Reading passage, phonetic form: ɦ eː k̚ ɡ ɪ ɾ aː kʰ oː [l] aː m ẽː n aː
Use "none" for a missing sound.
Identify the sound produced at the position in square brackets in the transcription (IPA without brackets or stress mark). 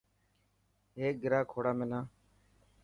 ɽ